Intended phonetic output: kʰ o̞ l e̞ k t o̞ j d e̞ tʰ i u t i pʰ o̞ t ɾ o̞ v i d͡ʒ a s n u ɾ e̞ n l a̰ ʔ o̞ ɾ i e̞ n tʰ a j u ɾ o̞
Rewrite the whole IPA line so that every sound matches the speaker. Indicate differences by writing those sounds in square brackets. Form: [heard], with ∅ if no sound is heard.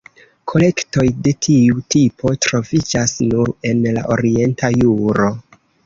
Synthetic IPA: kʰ o̞ l e̞ k t o̞ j d e̞ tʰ i u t i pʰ o̞ t ɾ o̞ v i d͡ʒ a s n u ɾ e̞ n l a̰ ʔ o̞ ɾ i e̞ n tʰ a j u ɾ o̞